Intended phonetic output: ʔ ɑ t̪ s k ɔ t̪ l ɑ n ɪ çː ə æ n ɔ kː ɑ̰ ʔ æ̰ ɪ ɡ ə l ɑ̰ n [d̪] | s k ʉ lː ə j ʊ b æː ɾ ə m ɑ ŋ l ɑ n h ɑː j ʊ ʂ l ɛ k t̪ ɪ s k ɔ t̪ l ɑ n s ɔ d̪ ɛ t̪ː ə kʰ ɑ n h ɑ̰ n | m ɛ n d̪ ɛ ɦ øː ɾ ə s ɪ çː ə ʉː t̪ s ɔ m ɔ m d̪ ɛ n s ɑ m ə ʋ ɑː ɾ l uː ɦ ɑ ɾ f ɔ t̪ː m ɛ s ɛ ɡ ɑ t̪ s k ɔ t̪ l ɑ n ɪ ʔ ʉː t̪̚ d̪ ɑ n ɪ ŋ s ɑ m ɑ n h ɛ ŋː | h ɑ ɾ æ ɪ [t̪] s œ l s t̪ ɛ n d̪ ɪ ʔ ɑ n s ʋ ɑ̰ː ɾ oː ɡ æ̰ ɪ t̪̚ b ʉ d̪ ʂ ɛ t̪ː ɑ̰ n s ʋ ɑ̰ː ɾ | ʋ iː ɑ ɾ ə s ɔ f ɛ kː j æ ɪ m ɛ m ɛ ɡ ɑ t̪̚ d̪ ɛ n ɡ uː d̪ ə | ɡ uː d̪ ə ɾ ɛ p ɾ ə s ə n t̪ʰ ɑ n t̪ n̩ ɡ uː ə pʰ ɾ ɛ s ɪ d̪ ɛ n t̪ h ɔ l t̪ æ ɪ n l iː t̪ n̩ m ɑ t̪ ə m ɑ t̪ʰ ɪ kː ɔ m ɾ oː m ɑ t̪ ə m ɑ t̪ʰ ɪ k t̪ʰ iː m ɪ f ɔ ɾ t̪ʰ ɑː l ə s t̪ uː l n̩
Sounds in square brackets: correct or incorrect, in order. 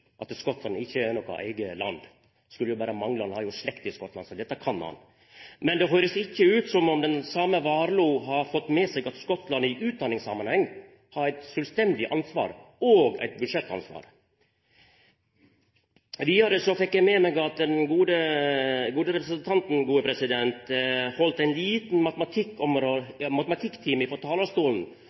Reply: correct, correct

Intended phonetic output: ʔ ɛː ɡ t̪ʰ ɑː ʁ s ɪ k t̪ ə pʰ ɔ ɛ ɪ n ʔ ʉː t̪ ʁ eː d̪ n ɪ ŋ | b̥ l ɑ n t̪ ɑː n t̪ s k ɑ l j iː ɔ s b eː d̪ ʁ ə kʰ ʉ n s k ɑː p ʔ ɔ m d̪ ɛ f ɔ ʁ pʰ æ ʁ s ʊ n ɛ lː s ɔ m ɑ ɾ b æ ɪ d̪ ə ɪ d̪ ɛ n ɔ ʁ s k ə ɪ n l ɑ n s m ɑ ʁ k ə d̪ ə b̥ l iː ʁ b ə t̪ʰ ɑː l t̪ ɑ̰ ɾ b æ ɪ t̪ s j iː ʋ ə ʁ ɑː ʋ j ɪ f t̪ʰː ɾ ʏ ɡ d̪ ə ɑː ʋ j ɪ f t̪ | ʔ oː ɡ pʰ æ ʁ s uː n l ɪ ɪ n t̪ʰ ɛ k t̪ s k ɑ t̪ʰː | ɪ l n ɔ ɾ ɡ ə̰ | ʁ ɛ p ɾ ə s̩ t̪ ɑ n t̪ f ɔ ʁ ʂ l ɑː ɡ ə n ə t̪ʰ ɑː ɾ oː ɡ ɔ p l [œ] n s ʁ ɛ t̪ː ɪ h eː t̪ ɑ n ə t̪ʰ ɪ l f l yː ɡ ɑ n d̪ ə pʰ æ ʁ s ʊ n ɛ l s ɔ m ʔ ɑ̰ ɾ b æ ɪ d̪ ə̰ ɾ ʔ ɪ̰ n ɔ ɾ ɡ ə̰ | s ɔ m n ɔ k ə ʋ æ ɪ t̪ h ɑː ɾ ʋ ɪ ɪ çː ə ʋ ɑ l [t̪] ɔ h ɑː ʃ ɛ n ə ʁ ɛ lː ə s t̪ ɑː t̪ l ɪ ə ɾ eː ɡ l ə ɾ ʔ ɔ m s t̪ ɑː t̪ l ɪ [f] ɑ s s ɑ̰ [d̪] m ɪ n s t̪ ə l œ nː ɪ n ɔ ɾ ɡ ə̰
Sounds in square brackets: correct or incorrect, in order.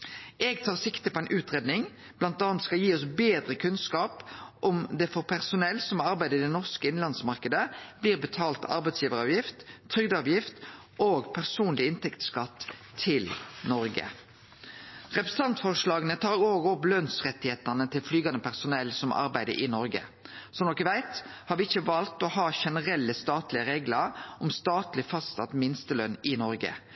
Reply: correct, correct, correct, incorrect: t̪

